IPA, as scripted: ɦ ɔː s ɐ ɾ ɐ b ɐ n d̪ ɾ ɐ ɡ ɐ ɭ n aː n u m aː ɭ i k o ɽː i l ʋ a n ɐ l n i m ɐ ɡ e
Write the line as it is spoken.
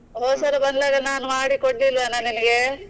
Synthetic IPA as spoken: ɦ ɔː s ɐ ɾ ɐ b ɐ n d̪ l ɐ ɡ ɐ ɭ n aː n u m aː ɽ i k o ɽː i l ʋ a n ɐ n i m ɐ ɡ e